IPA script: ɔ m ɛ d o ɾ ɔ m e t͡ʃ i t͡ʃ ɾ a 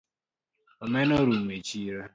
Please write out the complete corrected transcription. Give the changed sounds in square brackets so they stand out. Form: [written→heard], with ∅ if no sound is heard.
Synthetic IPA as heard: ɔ m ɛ [d→n] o ɾ [ɔ→u] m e t͡ʃ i [t͡ʃ→∅] ɾ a